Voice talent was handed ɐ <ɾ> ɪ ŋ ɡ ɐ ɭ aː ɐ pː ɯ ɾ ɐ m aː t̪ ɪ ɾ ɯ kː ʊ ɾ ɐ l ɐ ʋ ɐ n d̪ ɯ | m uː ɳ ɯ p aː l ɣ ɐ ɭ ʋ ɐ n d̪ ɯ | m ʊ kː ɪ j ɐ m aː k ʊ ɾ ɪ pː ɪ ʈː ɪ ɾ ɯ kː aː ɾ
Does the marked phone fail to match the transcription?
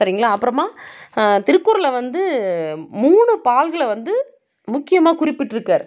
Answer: no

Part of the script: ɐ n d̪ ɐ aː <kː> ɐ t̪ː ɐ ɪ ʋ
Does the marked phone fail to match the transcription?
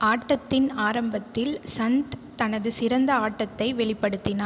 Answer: yes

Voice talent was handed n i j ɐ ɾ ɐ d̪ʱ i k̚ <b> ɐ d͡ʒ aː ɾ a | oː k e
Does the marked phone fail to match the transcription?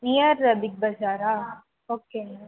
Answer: no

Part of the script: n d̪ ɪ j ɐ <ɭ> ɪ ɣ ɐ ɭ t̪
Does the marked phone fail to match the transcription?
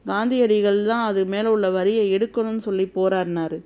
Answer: yes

